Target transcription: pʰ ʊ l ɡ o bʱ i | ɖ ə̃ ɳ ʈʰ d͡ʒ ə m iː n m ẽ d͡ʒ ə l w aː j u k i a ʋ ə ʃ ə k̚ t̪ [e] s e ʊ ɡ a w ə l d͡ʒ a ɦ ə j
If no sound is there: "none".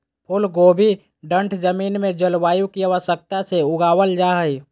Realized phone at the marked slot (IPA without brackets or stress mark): a